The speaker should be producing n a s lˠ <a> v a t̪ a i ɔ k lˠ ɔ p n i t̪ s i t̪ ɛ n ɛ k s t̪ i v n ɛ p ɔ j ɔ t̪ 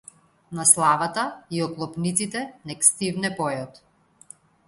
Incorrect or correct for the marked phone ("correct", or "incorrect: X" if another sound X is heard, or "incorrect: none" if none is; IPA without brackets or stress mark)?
correct